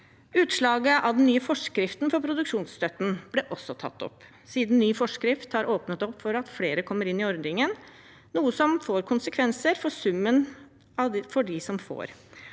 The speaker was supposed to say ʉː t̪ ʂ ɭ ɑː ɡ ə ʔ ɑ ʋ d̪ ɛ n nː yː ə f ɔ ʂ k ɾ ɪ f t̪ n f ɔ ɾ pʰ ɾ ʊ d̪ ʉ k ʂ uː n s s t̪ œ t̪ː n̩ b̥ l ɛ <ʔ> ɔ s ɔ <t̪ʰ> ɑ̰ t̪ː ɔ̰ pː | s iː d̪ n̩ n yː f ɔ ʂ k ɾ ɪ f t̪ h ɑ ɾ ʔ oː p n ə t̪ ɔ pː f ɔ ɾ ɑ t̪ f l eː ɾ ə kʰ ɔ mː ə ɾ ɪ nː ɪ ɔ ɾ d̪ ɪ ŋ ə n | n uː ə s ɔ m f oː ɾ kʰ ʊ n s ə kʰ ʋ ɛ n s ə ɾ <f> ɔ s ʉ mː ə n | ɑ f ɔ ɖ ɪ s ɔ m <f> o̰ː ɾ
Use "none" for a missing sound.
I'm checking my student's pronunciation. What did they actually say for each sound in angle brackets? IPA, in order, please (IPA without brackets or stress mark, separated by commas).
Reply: ʔ, t̪ʰ, f, f